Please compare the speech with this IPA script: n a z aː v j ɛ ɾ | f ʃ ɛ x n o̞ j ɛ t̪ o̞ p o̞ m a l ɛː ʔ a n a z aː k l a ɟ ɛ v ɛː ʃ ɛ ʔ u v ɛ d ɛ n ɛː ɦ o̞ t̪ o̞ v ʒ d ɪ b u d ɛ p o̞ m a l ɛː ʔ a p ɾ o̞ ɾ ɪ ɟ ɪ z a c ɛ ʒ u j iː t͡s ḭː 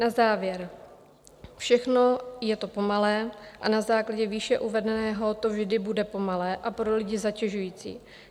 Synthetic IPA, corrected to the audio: n a z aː v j ɛ ɾ | f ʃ ɛ x n o̞ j ɛ t̪ o̞ p o̞ m a l ɛː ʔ a n a z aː k l a ɟ ɛ v iː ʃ ɛ ʔ u v ɛ d ɛ n ɛː ɦ o̞ t̪ o̞ v ʒ d ɪ b u d ɛ p o̞ m a l ɛː ʔ a p ɾ o̞ l ɪ ɟ ɪ z a c ɛ ʒ u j iː t͡s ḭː